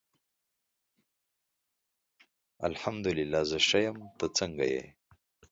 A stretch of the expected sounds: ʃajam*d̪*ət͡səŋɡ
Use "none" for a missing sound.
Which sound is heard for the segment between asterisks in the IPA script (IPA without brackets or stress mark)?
t̪